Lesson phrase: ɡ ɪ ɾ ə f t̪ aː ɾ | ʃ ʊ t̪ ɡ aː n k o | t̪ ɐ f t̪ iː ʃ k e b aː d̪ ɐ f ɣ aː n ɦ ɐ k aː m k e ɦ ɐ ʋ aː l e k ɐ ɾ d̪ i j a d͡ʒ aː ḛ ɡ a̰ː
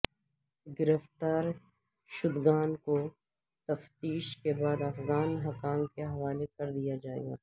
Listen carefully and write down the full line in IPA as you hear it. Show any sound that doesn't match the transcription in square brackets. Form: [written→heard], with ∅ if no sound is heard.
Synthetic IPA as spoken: ɡ ɪ ɾ ə f t̪ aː ɾ | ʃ ʊ [t̪→d̪] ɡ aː n k o | t̪ ɐ f t̪ iː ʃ k e b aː d̪ ɐ f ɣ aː n ɦ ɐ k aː m k e ɦ ɐ ʋ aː l e k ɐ ɾ d̪ i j a d͡ʒ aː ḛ ɡ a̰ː